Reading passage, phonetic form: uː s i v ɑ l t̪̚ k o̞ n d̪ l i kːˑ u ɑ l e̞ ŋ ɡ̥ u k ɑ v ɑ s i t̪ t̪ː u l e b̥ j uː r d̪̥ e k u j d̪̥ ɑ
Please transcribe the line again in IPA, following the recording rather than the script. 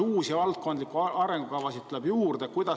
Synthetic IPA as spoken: uː s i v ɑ l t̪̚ k o̞ n d̪ l i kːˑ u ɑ ɾ e̞ ŋ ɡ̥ u k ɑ v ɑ s i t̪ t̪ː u l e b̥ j uː r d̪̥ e k u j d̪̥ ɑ